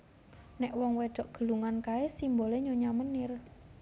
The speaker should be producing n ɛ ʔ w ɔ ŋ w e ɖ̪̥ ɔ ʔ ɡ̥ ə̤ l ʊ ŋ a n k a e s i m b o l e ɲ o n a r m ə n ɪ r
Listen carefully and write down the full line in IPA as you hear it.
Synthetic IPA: n ɛ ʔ w ɔ ŋ w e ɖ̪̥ ɔ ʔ ɡ̥ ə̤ l u ŋ a n k a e s i m b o l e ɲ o ɲ a m ə n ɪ r